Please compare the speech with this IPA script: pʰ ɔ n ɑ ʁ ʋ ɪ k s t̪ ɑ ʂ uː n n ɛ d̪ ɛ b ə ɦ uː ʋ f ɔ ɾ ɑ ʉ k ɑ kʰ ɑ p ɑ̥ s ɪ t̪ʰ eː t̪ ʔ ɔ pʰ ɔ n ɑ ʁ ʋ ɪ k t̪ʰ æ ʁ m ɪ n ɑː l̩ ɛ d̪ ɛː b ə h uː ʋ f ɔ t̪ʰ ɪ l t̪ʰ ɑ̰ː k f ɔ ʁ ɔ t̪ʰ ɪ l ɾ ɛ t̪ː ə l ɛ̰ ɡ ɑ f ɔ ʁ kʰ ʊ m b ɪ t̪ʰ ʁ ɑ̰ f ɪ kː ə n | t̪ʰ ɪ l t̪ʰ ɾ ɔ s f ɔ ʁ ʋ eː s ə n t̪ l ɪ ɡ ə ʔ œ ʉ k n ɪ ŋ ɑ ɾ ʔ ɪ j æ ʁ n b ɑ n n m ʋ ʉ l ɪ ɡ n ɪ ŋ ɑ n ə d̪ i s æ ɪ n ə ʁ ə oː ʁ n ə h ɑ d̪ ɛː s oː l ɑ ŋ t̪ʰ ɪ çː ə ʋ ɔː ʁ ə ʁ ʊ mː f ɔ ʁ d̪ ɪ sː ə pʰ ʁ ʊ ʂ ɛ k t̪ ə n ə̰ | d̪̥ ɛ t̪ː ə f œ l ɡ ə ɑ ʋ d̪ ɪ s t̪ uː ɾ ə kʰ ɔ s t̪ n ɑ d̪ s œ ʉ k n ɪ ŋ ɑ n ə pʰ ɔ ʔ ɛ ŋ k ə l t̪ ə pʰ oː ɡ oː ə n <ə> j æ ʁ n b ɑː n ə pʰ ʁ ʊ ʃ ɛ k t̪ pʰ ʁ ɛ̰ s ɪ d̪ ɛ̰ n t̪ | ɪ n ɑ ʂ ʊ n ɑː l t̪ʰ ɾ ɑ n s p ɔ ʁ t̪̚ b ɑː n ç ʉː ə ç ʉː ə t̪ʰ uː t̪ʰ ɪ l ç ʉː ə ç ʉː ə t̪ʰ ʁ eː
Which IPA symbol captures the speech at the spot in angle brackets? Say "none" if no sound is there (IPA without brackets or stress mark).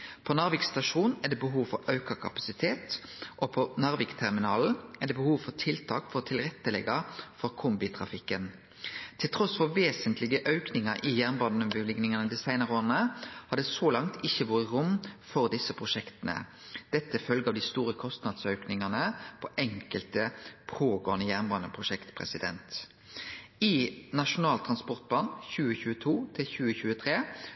ə